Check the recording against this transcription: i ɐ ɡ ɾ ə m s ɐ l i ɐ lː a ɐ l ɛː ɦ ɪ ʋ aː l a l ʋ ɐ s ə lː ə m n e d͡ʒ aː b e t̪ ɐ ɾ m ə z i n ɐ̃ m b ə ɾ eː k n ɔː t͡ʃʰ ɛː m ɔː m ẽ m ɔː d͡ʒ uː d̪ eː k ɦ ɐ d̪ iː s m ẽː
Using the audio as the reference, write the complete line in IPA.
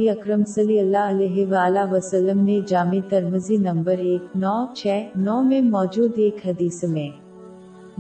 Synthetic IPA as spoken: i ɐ k ɾ ə m s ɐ l i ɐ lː a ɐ l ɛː ɦ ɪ ʋ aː l a ʋ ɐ s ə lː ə m n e d͡ʒ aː m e t̪ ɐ ɾ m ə z i n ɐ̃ m b ə ɾ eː k n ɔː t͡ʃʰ ɛː n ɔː m ẽ m ɔː d͡ʒ uː d̪ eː k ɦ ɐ d̪ iː s m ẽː